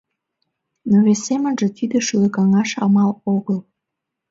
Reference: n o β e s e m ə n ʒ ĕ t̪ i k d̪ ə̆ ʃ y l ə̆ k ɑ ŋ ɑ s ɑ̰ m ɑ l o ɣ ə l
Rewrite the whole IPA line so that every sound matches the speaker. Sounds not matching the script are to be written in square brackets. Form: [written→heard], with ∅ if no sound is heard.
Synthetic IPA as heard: n o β e s e m ə n ʒ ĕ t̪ i [k→∅] d̪ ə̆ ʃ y l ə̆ k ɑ ŋ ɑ [s→ʃ] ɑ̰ m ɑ l o ɣ ə l